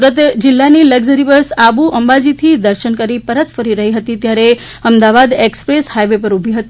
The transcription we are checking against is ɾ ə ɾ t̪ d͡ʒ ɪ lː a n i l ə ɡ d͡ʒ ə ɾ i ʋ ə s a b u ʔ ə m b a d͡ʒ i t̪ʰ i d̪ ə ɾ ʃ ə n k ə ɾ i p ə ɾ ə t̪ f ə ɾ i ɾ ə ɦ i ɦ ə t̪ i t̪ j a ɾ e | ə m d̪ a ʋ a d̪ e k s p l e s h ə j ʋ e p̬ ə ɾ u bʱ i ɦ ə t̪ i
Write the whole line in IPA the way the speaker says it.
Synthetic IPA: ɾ ə t̪ d͡ʒ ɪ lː a n i l ə ɡ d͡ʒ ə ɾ i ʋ ə s a b u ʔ ə m b a d͡ʒ i t̪ʰ i d̪ ə ɾ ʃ ə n k ə ɾ i p ə ɾ ə t̪ f ə ɾ i ɾ ə ɦ i ɦ ə t̪ i t̪ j a ɾ e | ə m d̪ a ʋ a d̪ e k s p ɾ e s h a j ʋ e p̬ ə ɾ u bʱ i ɦ ə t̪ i